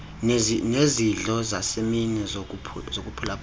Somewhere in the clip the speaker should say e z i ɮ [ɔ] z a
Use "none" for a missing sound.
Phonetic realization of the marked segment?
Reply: ɔ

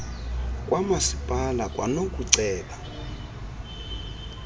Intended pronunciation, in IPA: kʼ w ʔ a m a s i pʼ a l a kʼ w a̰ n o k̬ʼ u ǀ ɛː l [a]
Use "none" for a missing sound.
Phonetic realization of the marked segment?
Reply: a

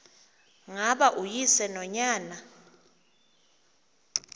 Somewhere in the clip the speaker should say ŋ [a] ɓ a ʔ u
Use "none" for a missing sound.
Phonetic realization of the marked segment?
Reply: a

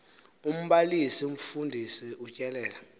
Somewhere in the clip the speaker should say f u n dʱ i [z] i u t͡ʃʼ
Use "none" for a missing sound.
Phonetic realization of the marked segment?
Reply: s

